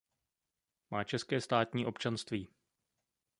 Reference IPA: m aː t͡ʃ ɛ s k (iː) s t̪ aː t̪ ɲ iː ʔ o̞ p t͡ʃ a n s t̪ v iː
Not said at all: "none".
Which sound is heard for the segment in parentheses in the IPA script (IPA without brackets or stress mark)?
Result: ɛː